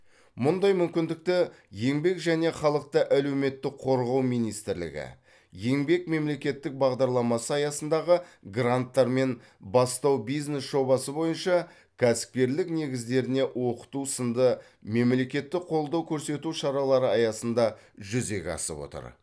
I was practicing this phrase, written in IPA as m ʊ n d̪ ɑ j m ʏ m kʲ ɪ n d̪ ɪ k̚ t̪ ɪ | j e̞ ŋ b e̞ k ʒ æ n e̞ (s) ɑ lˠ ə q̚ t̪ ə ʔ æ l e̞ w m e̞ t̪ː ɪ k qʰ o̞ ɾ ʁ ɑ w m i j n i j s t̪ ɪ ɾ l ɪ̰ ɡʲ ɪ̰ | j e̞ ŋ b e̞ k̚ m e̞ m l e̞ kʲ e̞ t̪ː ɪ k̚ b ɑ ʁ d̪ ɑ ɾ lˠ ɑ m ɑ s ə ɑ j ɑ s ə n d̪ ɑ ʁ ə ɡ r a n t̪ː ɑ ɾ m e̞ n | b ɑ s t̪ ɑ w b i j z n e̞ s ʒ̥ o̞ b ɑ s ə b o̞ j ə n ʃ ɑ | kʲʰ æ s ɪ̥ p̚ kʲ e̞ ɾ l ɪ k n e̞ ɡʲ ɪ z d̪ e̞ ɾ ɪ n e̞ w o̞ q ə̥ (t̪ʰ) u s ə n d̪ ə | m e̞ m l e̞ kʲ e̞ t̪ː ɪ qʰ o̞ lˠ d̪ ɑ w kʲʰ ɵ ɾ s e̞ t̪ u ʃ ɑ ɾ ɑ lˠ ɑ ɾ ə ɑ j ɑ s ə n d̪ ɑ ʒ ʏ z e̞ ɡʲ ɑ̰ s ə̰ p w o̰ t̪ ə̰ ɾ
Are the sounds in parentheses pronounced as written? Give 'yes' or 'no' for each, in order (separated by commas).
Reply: no, no